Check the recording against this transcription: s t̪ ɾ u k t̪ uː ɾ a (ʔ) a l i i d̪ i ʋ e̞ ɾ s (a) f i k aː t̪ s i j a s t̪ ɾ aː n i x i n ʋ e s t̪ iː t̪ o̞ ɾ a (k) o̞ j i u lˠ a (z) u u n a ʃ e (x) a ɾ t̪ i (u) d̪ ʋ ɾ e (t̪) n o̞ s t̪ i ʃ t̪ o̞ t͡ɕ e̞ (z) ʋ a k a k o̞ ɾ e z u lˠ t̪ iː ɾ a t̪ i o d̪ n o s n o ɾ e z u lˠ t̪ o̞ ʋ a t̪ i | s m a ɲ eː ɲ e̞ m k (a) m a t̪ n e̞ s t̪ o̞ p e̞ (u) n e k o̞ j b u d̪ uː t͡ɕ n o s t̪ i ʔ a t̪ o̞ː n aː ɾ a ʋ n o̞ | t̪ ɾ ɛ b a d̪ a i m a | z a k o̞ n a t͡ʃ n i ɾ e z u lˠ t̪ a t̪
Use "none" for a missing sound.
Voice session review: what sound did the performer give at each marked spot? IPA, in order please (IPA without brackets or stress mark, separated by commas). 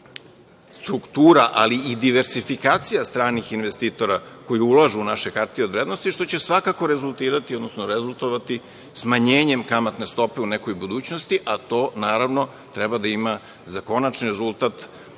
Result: ʔ, i, k, ʒ, k, o, d̪, s, a, u